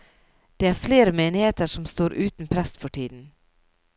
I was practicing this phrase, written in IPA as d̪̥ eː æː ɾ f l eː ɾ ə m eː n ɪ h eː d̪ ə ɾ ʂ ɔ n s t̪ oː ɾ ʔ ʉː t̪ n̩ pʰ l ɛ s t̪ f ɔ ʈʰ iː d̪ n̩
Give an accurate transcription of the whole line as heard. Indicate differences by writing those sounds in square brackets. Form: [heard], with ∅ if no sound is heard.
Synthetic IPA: d̪̥ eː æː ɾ f l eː ɾ ə m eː n ɪ h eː [t̪] ə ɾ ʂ ɔ [m] s t̪ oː ɾ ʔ ʉː t̪ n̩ pʰ [ɾ] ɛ s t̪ f ɔ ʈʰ iː d̪ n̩